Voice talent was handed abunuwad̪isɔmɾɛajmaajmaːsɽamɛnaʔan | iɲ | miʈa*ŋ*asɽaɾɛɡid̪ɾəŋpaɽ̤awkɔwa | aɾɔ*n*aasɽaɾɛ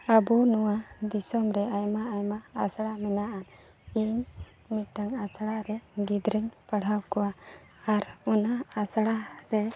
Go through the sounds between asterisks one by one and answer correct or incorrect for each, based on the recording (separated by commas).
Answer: correct, correct